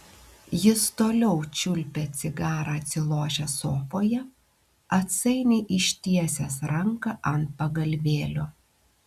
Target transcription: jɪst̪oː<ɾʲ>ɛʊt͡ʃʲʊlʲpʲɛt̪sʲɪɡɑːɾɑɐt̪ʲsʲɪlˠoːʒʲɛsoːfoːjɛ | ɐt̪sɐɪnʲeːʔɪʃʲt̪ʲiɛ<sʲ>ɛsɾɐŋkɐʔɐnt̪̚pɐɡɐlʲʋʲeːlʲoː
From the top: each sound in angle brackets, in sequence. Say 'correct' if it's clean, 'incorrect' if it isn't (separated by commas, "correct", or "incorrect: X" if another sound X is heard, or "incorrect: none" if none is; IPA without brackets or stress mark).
incorrect: lʲ, correct